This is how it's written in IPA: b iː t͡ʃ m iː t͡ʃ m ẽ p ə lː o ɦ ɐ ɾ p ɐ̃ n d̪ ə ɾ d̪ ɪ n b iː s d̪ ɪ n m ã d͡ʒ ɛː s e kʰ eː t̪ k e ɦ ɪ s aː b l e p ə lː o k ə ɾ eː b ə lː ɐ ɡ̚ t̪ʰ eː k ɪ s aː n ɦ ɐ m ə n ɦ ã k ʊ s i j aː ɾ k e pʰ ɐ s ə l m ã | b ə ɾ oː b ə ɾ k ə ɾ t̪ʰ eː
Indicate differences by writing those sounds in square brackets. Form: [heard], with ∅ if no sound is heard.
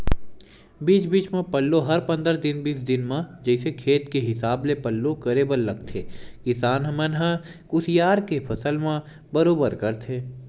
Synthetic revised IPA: b iː t͡ʃ [b] iː t͡ʃ m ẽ p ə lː o ɦ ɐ ɾ p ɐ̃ n d̪ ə ɾ d̪ ɪ n b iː s d̪ ɪ n m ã d͡ʒ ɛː s e kʰ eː t̪ k e ɦ ɪ s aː b l e p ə lː o k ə ɾ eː b ə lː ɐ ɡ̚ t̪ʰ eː k ɪ s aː n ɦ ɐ m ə n ɦ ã k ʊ s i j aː ɾ k e pʰ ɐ s ə l m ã | b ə ɾ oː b ə ɾ k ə ɾ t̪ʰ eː